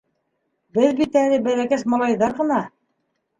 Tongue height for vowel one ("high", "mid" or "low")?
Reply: mid